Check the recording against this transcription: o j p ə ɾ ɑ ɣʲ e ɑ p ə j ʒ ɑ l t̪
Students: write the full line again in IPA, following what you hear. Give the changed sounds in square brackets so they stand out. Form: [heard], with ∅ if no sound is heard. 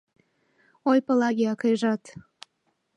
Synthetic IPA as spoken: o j p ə [l] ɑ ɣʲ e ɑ [k] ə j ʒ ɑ [∅] t̪